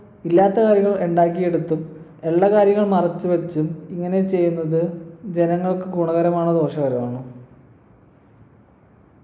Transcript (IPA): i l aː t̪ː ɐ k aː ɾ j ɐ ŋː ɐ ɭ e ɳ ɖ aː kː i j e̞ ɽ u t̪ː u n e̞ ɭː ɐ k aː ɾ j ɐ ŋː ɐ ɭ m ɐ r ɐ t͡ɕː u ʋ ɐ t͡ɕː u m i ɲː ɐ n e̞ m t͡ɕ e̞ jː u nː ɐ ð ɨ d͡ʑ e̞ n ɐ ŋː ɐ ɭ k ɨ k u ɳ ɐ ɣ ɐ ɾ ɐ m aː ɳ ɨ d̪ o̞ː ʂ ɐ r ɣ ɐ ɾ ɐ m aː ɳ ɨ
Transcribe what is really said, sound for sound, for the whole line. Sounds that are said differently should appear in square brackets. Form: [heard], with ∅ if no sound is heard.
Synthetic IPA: i [lː] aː t̪ː ɐ k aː ɾ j ɐ ŋː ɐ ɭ e ɳ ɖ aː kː i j e̞ ɽ u t̪ː u [m] e̞ ɭː ɐ k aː ɾ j ɐ ŋː ɐ ɭ m ɐ r ɐ t͡ɕː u ʋ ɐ t͡ɕː u m i [ŋː] ɐ n e̞ [∅] t͡ɕ e̞ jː u nː ɐ ð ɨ d͡ʑ e̞ n ɐ ŋː ɐ ɭ k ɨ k u ɳ ɐ ɣ ɐ ɾ ɐ m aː ɳ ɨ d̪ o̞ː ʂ ɐ [∅] ɣ ɐ ɾ ɐ m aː ɳ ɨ